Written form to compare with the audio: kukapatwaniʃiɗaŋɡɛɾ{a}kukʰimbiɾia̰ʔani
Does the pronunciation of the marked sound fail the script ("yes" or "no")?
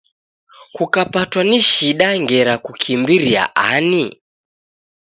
no